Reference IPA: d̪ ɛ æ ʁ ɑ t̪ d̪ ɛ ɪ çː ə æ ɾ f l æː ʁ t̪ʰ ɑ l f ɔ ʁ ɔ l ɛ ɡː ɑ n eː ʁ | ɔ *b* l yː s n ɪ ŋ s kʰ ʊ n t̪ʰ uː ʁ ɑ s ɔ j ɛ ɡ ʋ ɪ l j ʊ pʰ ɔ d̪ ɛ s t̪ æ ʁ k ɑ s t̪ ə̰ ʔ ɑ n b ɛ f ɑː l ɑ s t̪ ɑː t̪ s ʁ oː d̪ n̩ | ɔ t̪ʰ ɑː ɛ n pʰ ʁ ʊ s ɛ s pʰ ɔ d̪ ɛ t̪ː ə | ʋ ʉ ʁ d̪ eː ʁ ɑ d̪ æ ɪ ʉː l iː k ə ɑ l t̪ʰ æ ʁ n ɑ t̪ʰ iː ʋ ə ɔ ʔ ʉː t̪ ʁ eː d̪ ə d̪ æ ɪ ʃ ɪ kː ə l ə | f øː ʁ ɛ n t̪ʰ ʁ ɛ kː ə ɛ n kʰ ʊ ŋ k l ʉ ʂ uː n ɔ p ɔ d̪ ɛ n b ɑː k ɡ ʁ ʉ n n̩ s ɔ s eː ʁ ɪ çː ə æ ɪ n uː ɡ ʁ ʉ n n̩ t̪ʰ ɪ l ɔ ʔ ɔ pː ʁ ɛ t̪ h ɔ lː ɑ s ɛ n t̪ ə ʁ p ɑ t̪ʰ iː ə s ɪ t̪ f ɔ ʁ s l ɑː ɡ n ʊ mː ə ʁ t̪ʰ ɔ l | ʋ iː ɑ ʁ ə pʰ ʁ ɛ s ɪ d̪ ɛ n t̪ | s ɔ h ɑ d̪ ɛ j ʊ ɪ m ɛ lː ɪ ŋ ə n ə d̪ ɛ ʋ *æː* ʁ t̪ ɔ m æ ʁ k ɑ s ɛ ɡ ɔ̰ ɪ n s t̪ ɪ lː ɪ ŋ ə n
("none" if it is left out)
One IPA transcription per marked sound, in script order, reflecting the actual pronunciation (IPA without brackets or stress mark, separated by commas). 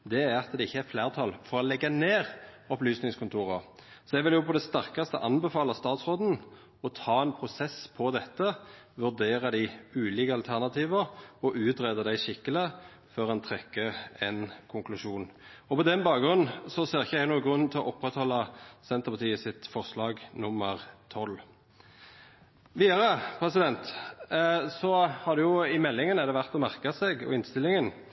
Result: p, æ